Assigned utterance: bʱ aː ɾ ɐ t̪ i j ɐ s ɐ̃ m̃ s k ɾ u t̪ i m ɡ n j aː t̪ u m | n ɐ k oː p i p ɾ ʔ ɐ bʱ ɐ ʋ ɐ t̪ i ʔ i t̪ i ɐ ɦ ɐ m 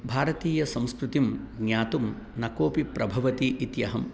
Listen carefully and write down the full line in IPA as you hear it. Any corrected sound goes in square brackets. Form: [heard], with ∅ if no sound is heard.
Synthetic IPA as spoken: bʱ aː ɾ ɐ t̪ [iː] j ɐ s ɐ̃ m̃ s k ɾ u t̪ i m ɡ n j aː t̪ u m | n ɐ k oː p i p ɾ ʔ ɐ bʱ ɐ ʋ ɐ t̪ i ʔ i t̪ [j] ɐ ɦ ɐ m